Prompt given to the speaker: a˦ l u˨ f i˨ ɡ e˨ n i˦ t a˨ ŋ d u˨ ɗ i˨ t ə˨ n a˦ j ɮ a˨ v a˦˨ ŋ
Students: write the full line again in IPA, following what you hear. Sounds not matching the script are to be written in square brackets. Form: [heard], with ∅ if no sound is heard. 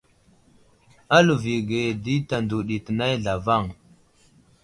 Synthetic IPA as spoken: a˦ l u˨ [v] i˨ ɡ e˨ [d] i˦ t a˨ [n] d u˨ ɗ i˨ t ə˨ n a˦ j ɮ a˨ v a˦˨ ŋ